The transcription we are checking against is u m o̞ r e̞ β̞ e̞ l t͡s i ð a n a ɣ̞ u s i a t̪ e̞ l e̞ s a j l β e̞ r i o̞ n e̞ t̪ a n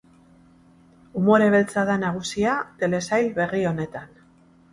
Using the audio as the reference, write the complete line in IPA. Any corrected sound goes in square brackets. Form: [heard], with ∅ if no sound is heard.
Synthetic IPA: u m o̞ [ɾ] e̞ β̞ e̞ l t͡s [a] ð a n a ɣ̞ u s i a t̪ e̞ l e̞ s a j l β e̞ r i o̞ n e̞ t̪ a n

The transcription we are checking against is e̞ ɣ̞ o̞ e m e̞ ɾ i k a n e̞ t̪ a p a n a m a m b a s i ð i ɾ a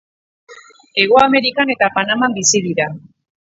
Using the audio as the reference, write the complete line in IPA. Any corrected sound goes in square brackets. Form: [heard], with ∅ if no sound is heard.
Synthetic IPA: e̞ ɣ̞ o̞ [a] m e̞ ɾ i k a n e̞ t̪ a p a n a m a m b [i] s i ð i ɾ a

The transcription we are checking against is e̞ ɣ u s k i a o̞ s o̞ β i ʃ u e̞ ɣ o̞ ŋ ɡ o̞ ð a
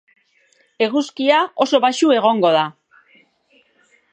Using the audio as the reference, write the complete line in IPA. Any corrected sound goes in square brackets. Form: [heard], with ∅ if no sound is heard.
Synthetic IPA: e̞ ɣ u s k i a o̞ s o̞ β [a] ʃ u e̞ ɣ o̞ ŋ ɡ o̞ ð a

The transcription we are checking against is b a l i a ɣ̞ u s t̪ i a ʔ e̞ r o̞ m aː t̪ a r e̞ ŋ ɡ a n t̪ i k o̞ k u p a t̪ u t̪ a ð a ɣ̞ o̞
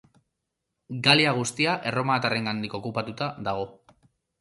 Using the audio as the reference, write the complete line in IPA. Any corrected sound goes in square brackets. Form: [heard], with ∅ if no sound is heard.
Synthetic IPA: [ɡ] a l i a ɣ̞ u s t̪ i a ʔ e̞ r o̞ m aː t̪ a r e̞ ŋ ɡ a n [d̪] i k o̞ k u p a t̪ u t̪ a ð a ɣ̞ o̞

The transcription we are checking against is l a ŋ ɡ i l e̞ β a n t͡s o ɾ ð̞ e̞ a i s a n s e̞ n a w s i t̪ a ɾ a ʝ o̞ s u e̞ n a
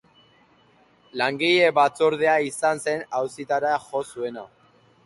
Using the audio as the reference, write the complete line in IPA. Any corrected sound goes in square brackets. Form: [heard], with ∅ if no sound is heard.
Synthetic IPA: l a ŋ ɡ i [ʎ] e̞ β a [∅] t͡s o ɾ ð̞ e̞ a i s a n s e̞ n a w s i t̪ a ɾ a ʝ o̞ s u e̞ n a

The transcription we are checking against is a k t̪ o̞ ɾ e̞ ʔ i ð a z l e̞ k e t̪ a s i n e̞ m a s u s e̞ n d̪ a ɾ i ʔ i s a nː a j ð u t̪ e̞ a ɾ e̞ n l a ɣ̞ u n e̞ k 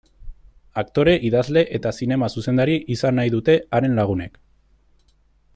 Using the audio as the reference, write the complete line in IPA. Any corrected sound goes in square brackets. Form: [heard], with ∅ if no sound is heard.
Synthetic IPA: a k t̪ o̞ ɾ e̞ ʔ i ð a z l e̞ [ʔ] e t̪ a s i n e̞ m a s u s e̞ n d̪ a ɾ i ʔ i s a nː a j ð u t̪ e̞ a ɾ e̞ n l a ɣ̞ u n e̞ k

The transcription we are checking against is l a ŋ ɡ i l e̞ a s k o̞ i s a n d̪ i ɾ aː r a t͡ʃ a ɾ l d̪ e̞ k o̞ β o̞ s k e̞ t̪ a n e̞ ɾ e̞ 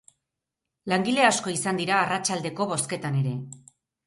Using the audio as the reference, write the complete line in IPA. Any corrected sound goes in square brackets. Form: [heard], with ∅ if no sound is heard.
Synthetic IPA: l a ŋ ɡ i l e̞ a s k o̞ i s a n d̪ i ɾ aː r a t͡ʃ a [∅] l d̪ e̞ k o̞ β o̞ s k e̞ t̪ a n e̞ ɾ e̞

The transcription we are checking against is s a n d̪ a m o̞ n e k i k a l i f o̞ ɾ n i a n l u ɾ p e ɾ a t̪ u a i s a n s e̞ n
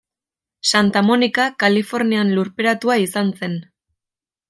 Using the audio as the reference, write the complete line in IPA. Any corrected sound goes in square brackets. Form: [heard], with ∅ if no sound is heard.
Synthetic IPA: s a n [t̪] a m o̞ n [i] k [a] k a l i f o̞ ɾ n i a n l u ɾ p e ɾ a t̪ u a i s a n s e̞ n

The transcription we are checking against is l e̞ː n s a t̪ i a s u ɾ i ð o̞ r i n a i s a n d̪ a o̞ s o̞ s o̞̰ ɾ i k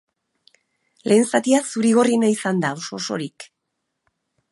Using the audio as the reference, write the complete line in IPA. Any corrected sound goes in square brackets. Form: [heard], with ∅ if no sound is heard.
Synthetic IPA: l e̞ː n s a t̪ i a s u ɾ i [ɣ] o̞ r i n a i s a n d̪ a o̞ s o̞ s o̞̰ ɾ i k

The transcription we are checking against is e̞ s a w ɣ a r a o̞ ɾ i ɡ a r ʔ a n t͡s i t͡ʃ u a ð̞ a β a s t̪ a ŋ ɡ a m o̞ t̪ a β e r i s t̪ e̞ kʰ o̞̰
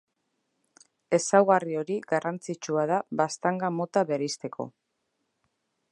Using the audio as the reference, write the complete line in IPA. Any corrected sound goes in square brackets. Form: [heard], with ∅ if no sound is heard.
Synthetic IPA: e̞ s a w ɣ a r [i] o̞ ɾ i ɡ a r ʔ a n t͡s i t͡ʃ u a ð̞ a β a s t̪ a ŋ ɡ a m o̞ t̪ a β e [ɾ] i s t̪ e̞ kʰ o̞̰

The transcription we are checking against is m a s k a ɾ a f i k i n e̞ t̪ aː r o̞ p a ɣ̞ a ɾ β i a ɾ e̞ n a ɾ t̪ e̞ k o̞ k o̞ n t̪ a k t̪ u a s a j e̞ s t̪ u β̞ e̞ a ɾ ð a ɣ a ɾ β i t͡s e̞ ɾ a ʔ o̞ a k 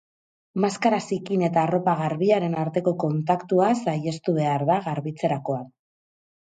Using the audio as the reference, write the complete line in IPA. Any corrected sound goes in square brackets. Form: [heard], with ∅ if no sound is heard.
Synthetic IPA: m a s k a ɾ a [s] i k i n e̞ t̪ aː r o̞ p a ɣ̞ a ɾ β i a ɾ e̞ n a ɾ t̪ e̞ k o̞ k o̞ n t̪ a k t̪ u a s a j e̞ s t̪ u β̞ e̞ a ɾ ð a ɣ a ɾ β i t͡s e̞ ɾ a [k] o̞ a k

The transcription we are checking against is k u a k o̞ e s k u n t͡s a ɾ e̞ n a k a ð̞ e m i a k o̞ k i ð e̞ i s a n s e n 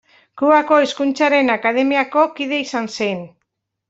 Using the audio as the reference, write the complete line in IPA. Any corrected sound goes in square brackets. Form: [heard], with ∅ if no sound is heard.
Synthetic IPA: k u a k o̞ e s k u n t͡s a ɾ e̞ n a k a ð̞ e m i a k o̞ k i ð e̞ i s a n s e n

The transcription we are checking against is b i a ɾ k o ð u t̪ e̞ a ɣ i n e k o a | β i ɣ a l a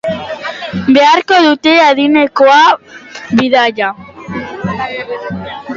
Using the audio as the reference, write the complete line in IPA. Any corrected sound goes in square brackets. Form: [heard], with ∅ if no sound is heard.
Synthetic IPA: b [e] a ɾ k o ð u t̪ e̞ a [ð] i n e k o a | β i [ð] a [ʎ] a

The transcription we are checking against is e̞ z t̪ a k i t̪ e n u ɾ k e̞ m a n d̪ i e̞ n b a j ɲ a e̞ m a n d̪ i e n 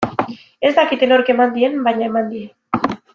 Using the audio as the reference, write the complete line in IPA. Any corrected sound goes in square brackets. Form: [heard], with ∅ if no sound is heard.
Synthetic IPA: e̞ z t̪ a k i t̪ e n [o] ɾ k e̞ m a n d̪ i e̞ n b a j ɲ a e̞ m a n d̪ i e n

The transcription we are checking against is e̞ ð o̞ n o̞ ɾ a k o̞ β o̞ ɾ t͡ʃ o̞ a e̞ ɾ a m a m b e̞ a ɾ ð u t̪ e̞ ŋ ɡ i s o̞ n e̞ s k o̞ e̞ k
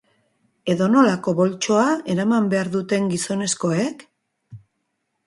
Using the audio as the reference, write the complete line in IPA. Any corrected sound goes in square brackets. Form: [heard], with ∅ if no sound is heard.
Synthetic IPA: e̞ ð o̞ n o̞ [l] a k o̞ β o̞ [l] t͡ʃ o̞ a e̞ ɾ a m a m b e̞ a ɾ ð u t̪ e̞ ŋ ɡ i s o̞ n e̞ s k o̞ e̞ k

